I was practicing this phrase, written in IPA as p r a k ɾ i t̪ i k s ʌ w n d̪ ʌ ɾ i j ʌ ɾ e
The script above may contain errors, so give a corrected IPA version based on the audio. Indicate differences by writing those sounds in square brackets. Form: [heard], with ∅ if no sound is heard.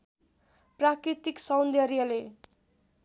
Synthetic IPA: p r a k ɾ i t̪ i k s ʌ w n d̪ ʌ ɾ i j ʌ [l] e